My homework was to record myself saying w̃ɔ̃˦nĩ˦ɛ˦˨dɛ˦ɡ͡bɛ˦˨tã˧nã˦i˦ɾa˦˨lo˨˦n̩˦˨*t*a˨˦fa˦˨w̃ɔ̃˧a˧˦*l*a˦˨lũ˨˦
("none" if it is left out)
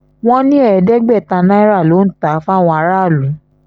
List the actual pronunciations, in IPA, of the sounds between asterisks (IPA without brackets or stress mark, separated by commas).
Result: t, ɾ